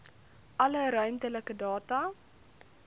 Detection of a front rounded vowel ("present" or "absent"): present